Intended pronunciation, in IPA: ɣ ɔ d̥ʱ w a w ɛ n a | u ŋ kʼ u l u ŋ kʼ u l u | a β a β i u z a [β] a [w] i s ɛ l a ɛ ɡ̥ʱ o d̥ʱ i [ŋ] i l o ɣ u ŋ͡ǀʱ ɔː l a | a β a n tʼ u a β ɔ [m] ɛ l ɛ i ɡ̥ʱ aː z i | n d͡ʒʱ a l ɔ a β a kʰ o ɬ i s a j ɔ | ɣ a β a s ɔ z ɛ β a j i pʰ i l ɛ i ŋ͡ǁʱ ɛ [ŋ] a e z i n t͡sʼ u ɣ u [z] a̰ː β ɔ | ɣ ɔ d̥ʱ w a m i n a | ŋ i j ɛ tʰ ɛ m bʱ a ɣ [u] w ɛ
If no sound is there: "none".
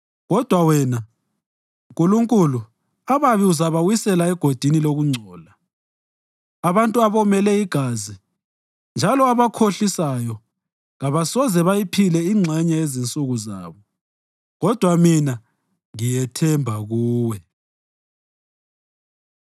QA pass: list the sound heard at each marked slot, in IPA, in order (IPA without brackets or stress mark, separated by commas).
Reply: β, w, n, m, ɲ, z, uː